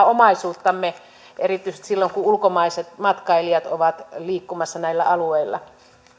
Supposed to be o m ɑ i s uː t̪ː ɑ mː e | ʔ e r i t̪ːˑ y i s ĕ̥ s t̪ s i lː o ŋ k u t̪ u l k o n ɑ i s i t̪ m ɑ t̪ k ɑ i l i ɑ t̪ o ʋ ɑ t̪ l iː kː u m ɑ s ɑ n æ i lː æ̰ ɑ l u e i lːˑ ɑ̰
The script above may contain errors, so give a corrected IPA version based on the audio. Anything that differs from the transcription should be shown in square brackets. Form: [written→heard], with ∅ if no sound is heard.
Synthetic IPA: o m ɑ i s uː t̪ː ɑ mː e | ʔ e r i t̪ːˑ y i s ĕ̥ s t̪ s i lː o ŋ k u [t̪→∅] u l k o [n→m] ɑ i s [i→e] t̪ m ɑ t̪ k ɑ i l i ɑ t̪ o ʋ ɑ t̪ l iː kː u m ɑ [s→sː] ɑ n æ i lː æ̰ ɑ l u e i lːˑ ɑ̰